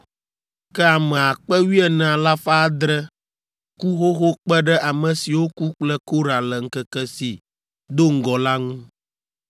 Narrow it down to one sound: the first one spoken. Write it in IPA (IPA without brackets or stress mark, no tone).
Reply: k